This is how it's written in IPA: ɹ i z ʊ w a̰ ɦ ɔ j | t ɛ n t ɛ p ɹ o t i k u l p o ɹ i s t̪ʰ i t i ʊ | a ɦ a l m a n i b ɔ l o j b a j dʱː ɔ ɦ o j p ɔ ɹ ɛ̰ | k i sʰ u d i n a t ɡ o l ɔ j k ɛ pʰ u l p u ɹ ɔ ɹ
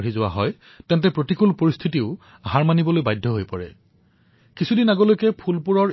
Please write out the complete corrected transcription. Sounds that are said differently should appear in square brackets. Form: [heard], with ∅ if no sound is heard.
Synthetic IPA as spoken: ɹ i z ʊ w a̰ ɦ ɔ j | t ɛ n t ɛ p ɹ o t i k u l p o ɹ i s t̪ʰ i t i ʊ | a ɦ a [ɹ] m a n i b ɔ l o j b a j dʱː ɔ ɦ o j p ɔ ɹ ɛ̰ | k i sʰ u d i n a [∅] ɡ o l [o] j k ɛ pʰ u l p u ɹ ɔ ɹ